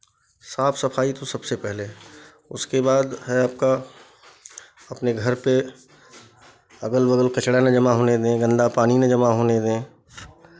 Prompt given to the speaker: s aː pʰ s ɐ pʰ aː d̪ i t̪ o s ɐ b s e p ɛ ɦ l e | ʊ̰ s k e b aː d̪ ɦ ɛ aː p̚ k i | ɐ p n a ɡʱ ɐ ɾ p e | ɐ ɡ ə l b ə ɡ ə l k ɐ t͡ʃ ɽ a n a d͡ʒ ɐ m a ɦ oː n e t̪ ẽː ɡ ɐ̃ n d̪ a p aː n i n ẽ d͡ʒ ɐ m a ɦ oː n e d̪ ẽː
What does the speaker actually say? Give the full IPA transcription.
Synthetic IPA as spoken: s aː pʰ s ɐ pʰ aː i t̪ o s ɐ b s e p ɛ ɦ l e | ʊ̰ s k e b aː d̪ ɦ ɛ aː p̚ k a | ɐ p n e ɡʱ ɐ ɾ p e | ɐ ɡ ə l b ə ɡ ə l k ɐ t͡ʃ ɽ a n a d͡ʒ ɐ m a ɦ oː n e d̪ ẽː ɡ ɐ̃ n d̪ a p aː n i n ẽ d͡ʒ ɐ m a ɦ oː n e d̪ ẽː

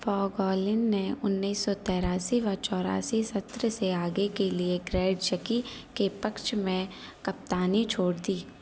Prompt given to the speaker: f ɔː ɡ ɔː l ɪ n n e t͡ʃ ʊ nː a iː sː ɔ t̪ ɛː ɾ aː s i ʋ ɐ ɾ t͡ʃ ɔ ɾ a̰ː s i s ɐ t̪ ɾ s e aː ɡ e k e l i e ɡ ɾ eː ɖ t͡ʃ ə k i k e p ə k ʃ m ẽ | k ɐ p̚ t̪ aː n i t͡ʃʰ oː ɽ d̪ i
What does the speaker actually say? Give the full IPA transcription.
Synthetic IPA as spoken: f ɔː ɡ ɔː l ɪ n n e ʊ nː i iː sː ɔ t̪ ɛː ɾ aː s i ʋ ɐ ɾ t͡ʃ ɔː ɾ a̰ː s i s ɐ t̪ ɾ s e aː ɡ e k e l i e ɡ ɾ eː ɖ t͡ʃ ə k i k e p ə k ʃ m ẽ | k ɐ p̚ t̪ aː n i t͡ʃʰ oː ɽ d̪ iː

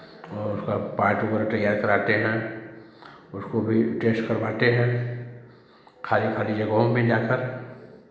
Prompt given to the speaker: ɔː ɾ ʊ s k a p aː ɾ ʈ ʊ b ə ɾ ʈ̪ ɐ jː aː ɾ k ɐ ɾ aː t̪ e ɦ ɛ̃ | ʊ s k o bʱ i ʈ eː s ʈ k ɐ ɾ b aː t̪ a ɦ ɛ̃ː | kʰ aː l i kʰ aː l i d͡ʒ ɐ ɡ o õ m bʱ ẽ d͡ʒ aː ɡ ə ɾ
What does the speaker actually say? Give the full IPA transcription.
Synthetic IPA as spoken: ɔː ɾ ʊ s k a p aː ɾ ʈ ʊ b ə ɾ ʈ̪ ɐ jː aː ɾ k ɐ ɾ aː t̪ e ɦ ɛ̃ | ʊ s k o bʱ i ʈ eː s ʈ k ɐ ɾ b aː t̪ e ɦ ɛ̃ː | kʰ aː l i kʰ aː l i d͡ʒ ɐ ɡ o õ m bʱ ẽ d͡ʒ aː k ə ɾ

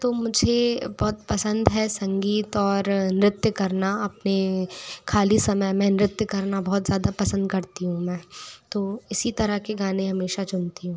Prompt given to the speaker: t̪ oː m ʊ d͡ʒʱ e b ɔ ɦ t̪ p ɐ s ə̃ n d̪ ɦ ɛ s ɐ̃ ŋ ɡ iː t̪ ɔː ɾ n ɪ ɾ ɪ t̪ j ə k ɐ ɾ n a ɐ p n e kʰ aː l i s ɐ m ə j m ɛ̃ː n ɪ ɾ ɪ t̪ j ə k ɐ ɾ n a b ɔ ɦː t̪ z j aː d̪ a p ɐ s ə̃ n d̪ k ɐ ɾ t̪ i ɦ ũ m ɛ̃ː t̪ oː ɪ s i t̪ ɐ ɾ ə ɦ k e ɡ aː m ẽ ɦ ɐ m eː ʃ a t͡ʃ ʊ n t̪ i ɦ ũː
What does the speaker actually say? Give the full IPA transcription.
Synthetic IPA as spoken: t̪ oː m ʊ d͡ʒʱ e b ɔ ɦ t̪ p ɐ s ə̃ n d̪ ɦ ɛ s ɐ̃ ŋ ɡ iː t̪ ɔː ɾ n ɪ ɾ ɪ t̪ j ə k ɐ ɾ n a ɐ p n e kʰ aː l i s ɐ m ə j m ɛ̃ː n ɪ ɾ ɪ t̪ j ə k ɐ ɾ n a b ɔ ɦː t̪ z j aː d̪ a p ɐ s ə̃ n d̪ k ɐ ɾ t̪ i ɦ ũ m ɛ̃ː t̪ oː ɪ s i t̪ ɐ ɾ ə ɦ k e ɡ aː n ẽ ɦ ɐ m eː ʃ a t͡ʃ ʊ n t̪ i ɦ ũː

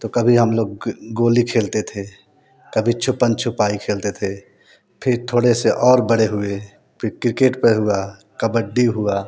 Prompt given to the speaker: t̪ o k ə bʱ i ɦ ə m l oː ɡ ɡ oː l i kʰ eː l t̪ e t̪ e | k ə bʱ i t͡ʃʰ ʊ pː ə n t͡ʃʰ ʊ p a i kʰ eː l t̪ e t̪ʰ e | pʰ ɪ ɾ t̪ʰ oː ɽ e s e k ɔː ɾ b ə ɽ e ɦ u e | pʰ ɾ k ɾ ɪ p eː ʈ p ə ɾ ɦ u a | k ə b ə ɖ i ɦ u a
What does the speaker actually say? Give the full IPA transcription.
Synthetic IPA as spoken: t̪ o k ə bʱ i ɦ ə m l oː ɡ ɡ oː l i kʰ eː l t̪ e t̪ʰ e | k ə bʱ i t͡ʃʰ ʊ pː ə n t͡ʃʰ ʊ p a i kʰ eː l t̪ e t̪ʰ e | pʰ ɪ ɾ t̪ʰ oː ɽ e s e ʔ ɔː ɾ b ə ɽ e ɦ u e | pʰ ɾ k ɾ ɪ k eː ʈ p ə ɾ ɦ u a | k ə b ə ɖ i ɦ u a

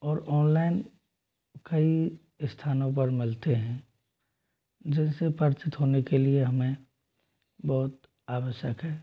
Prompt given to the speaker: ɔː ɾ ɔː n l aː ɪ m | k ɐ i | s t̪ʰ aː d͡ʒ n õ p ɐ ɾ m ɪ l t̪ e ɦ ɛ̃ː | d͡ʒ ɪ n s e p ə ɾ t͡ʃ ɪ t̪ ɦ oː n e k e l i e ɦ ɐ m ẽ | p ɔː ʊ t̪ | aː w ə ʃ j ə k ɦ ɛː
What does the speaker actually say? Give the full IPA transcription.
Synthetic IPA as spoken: ɔː ɾ ɔː n l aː ɪ n | k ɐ i | s t̪ʰ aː n õ p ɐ ɾ m ɪ l t̪ e ɦ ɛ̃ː | d͡ʒ ɪ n s e p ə ɾ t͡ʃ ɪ t̪ ɦ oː n e k e l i e ɦ ɐ m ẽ | b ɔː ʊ t̪ | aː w ə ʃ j ə k ɦ ɛː

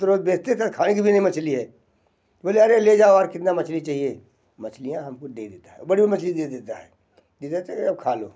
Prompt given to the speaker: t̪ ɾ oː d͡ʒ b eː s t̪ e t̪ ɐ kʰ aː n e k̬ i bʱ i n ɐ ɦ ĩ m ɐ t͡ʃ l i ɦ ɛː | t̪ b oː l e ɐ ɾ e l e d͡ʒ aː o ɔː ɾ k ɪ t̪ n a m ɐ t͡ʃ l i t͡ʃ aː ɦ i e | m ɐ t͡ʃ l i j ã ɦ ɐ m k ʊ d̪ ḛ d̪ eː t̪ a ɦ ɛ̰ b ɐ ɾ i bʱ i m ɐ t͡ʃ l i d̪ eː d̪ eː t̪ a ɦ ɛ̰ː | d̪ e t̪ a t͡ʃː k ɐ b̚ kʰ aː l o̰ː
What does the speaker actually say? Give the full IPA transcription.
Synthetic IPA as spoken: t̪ ɾ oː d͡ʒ b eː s t̪ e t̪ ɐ kʰ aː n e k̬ i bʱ i n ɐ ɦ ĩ m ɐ t͡ʃ l i ɦ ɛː | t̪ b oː l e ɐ ɾ e l e d͡ʒ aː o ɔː ɾ k ɪ t̪ n a m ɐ t͡ʃ l i t͡ʃ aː ɦ i e | m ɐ t͡ʃ l i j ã ɦ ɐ m k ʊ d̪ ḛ d̪ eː t̪ a ɦ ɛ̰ b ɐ ɽ i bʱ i m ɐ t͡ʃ l i d̪ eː d̪ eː t̪ a ɦ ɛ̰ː | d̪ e t̪ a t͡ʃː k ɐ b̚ kʰ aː l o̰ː

